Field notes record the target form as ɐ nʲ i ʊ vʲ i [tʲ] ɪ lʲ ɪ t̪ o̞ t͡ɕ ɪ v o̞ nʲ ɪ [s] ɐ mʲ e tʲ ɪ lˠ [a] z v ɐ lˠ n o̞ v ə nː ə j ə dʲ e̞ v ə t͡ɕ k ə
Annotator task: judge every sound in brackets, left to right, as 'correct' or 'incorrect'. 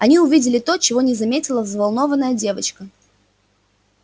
incorrect: dʲ, incorrect: z, incorrect: ə

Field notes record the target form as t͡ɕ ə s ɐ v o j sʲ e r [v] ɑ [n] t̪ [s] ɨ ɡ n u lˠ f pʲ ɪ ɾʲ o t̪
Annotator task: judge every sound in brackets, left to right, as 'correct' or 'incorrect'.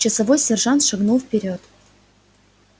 incorrect: ʐ, correct, incorrect: ʂ

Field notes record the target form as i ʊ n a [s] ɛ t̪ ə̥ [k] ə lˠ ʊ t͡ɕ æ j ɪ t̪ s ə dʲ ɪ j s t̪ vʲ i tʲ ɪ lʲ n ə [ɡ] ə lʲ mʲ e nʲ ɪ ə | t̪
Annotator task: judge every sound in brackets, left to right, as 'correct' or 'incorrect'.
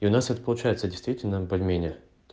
correct, incorrect: p, incorrect: b

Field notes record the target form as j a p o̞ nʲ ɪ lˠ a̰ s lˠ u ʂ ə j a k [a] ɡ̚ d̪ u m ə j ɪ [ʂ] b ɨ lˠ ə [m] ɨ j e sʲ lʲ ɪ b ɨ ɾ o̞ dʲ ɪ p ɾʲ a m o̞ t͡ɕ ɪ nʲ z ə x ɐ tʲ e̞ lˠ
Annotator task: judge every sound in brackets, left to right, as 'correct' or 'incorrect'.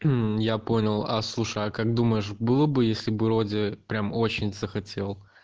correct, correct, incorrect: b

